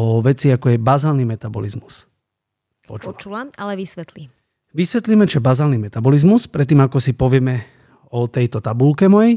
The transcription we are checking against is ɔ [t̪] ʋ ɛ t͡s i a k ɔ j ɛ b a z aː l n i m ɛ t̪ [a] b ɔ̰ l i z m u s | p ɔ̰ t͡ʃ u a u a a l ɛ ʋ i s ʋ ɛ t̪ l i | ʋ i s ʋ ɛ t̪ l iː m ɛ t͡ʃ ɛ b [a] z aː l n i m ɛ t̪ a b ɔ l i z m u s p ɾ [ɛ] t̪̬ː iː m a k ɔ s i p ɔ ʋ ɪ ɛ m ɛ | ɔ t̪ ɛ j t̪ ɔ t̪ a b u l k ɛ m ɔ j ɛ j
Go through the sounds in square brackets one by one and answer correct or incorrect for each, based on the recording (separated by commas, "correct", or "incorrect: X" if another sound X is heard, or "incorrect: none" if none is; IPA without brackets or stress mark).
incorrect: none, correct, correct, correct